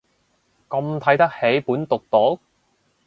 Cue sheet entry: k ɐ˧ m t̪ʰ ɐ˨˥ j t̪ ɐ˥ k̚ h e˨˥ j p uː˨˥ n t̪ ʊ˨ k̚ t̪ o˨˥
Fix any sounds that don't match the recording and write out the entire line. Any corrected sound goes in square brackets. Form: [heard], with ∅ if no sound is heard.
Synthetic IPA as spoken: k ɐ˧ m t̪ʰ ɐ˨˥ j t̪ ɐ˥ k̚ h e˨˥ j p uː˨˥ n t̪ ʊ˨ k̚ t̪ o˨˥